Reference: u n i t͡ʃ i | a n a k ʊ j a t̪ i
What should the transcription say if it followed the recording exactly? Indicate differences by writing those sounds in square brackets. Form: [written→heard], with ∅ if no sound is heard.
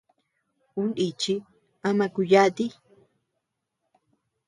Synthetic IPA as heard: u n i t͡ʃ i | a [n→m] a k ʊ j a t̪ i